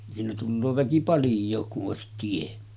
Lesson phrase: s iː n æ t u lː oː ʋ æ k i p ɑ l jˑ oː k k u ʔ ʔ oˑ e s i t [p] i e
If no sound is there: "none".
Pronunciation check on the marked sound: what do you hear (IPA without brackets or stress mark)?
t